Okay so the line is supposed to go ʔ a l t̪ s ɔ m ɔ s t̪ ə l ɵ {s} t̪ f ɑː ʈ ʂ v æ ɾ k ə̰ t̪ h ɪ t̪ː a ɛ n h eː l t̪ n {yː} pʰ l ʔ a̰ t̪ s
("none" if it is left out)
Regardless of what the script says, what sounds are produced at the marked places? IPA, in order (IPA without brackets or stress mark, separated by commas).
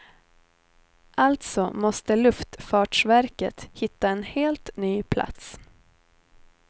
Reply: f, yː